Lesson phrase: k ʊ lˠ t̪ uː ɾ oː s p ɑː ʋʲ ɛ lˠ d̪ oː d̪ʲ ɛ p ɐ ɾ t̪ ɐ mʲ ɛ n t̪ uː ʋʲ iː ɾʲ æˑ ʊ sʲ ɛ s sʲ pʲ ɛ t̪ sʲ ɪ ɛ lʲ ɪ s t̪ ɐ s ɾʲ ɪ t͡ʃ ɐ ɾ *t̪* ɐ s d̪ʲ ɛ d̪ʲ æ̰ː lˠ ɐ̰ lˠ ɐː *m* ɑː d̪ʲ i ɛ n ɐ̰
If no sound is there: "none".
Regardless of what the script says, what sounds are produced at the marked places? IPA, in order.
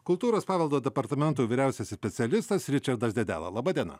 d̪, b

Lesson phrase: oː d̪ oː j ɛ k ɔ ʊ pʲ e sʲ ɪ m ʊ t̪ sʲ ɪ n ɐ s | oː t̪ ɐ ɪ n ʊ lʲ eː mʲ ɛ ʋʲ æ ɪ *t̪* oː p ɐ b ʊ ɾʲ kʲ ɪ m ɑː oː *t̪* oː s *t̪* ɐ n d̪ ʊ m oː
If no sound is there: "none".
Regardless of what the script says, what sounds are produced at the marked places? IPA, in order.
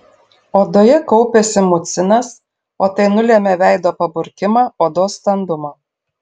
d̪, d̪, t̪

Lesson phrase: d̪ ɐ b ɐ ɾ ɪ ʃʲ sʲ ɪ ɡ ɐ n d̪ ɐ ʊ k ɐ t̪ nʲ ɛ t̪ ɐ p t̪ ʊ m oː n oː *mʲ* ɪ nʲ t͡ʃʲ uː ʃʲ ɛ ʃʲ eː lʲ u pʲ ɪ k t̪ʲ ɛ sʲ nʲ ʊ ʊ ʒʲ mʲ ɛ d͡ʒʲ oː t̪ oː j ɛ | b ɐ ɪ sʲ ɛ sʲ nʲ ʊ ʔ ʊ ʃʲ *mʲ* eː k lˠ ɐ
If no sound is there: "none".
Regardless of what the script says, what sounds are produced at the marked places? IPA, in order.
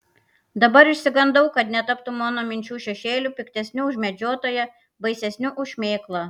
mʲ, mʲ

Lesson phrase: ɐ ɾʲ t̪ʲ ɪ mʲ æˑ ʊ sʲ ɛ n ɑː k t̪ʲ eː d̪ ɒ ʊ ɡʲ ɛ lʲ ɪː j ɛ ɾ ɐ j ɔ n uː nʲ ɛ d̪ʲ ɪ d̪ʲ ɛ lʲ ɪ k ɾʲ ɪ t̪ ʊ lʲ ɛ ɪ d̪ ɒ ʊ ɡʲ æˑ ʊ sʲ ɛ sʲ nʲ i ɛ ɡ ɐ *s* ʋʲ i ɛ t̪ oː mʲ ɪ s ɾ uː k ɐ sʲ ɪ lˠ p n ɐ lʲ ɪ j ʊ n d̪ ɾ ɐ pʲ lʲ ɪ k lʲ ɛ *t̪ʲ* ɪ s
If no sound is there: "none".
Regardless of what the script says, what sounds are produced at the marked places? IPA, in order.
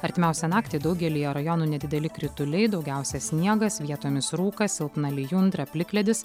s, d̪ʲ

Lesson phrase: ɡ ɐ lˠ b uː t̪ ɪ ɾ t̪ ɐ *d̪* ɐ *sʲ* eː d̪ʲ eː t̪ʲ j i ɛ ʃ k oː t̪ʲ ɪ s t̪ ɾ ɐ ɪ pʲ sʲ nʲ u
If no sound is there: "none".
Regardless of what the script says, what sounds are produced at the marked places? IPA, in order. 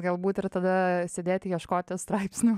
d̪, sʲ

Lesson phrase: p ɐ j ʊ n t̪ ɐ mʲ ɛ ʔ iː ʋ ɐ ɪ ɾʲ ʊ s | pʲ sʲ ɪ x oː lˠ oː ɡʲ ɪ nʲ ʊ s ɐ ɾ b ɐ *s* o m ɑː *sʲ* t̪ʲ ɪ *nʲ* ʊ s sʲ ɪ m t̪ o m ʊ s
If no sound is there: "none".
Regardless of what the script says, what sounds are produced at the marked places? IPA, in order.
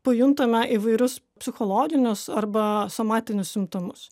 s, none, nʲ

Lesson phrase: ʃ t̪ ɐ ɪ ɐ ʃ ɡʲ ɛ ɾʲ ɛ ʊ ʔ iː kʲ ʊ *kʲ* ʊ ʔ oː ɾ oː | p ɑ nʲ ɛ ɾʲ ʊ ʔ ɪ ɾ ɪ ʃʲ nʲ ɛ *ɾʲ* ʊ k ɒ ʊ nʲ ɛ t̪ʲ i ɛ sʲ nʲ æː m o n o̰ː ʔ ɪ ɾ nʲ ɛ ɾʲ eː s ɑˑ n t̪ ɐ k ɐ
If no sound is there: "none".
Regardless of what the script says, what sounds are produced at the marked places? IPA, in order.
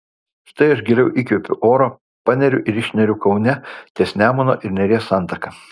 pʲ, ɾʲ

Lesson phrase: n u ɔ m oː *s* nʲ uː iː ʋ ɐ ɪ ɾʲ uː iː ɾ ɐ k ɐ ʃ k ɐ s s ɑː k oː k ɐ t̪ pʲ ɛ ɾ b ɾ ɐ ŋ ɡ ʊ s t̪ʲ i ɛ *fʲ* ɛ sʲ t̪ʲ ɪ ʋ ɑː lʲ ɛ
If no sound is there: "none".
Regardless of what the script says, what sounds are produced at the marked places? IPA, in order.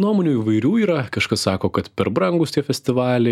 none, fʲ

